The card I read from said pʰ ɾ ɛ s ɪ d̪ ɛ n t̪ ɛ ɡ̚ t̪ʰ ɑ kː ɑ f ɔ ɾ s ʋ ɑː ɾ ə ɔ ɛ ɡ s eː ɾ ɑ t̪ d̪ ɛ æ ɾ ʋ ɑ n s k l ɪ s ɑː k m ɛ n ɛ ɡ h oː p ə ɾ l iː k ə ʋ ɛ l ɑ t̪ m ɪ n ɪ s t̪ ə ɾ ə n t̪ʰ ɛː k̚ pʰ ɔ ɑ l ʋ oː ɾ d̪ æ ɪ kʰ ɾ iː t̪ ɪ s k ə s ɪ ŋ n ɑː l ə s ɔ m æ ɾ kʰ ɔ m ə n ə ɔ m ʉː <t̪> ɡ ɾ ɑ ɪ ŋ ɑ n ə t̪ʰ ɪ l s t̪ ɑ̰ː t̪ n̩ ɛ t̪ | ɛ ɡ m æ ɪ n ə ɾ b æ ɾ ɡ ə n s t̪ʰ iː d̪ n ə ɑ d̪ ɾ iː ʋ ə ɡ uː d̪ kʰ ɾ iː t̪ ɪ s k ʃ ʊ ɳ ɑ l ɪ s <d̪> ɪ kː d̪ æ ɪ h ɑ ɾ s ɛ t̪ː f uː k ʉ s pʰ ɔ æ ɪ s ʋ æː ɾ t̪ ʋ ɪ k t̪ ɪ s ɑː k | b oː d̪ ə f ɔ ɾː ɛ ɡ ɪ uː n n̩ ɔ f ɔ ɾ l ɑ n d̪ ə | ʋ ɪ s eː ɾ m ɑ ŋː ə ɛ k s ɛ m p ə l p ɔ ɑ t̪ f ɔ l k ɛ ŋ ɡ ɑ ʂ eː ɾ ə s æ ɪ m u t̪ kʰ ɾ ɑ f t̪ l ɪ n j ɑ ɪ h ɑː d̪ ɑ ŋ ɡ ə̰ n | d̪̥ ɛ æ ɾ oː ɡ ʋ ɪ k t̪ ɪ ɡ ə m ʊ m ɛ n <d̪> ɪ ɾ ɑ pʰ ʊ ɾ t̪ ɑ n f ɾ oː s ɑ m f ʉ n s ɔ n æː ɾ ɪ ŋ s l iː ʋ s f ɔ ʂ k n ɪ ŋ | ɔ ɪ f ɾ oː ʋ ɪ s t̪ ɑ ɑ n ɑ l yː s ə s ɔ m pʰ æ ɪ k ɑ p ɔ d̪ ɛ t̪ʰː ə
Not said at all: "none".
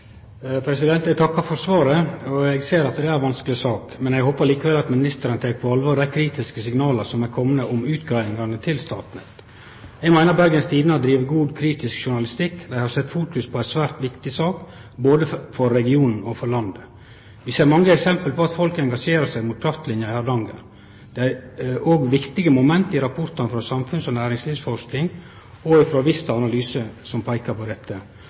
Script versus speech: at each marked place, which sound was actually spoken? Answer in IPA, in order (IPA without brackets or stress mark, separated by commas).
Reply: t̪, t̪, t̪